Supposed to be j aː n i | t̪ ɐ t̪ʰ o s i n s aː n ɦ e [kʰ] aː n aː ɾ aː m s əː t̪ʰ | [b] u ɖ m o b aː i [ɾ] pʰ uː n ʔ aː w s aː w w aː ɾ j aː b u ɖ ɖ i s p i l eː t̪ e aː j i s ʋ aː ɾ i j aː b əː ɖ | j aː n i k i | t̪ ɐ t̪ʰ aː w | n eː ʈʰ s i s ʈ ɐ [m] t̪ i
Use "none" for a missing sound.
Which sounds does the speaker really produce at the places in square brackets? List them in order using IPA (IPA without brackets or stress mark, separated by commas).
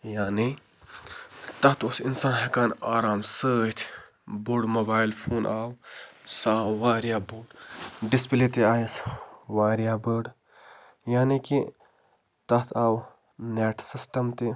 k, b, l, m